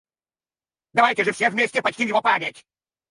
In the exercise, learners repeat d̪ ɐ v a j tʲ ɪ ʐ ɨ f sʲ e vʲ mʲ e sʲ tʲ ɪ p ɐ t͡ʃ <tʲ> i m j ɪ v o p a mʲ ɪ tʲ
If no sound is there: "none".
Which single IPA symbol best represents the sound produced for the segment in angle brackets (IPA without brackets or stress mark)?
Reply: tʲ